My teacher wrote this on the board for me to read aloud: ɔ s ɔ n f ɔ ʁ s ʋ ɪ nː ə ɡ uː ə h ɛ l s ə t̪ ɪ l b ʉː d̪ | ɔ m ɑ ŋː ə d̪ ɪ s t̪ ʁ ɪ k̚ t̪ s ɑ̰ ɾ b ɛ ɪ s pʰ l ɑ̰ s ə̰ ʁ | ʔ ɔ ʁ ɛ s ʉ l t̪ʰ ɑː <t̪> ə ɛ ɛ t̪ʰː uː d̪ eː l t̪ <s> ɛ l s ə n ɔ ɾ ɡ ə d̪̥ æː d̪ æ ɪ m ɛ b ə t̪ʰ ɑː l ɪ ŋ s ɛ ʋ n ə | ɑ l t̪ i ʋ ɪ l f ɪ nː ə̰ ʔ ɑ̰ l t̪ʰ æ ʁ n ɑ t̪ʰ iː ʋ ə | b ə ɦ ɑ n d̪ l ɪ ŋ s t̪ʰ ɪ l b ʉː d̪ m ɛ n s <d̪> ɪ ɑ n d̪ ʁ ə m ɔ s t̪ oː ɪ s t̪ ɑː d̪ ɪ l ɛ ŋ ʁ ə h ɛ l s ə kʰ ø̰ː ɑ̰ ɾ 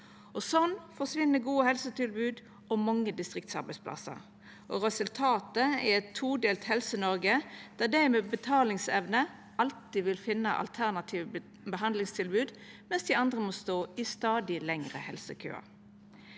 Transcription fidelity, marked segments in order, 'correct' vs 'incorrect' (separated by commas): correct, incorrect, correct